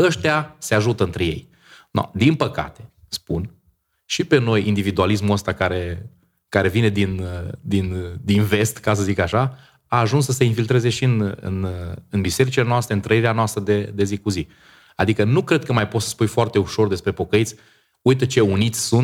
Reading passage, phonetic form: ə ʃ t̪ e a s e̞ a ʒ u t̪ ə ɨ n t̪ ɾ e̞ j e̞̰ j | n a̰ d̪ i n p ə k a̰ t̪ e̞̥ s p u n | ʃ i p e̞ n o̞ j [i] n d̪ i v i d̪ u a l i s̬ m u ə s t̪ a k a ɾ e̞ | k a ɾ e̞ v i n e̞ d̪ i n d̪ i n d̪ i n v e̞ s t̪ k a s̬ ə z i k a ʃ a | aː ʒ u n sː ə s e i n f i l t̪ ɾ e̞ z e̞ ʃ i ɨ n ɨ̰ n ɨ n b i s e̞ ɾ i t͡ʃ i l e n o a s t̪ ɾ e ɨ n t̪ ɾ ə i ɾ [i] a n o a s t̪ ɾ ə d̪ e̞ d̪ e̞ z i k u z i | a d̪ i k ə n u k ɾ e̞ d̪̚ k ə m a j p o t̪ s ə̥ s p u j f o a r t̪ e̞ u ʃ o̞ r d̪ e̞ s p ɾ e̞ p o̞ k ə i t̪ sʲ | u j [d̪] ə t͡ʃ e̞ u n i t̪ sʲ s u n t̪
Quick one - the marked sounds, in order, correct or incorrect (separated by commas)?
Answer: correct, incorrect, incorrect